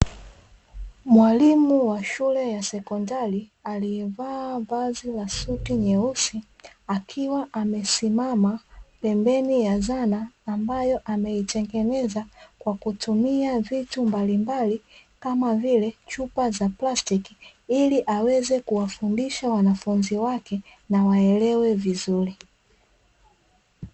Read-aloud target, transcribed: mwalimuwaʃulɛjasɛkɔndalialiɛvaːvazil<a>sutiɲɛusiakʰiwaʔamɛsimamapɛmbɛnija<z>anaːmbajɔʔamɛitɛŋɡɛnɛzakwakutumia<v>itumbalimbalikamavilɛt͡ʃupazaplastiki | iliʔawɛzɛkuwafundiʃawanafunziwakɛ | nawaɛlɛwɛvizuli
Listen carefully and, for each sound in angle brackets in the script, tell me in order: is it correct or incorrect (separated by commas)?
correct, correct, correct